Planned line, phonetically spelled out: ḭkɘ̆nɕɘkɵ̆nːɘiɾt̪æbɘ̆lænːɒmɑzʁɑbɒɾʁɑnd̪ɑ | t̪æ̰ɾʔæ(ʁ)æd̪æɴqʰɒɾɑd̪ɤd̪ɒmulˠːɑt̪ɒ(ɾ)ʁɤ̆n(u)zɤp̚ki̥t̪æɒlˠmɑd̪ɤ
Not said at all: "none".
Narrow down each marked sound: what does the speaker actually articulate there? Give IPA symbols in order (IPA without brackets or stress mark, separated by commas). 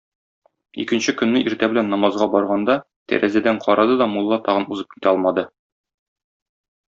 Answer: z, none, u